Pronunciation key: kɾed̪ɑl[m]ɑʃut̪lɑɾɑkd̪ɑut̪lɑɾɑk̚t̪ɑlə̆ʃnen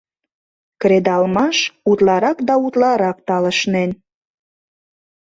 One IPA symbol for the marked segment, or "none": m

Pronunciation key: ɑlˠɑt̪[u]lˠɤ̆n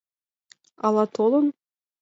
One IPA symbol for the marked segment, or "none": o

